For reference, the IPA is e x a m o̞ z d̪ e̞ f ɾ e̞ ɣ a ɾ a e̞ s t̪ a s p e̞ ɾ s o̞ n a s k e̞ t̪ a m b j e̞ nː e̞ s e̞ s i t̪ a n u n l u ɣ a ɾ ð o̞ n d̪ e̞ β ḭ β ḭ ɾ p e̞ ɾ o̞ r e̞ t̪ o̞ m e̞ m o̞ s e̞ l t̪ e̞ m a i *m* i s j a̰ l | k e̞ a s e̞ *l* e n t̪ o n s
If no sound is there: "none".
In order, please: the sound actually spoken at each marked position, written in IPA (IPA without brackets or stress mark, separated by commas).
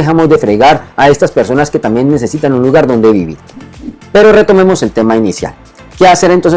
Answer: n, ɾ